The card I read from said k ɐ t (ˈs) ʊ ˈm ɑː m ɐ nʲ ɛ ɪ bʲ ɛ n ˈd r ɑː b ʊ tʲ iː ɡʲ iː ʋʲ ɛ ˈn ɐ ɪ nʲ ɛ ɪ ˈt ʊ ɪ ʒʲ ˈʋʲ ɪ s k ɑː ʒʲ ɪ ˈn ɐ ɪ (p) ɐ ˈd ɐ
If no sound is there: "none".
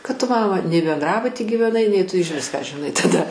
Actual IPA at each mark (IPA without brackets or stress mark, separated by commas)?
t, t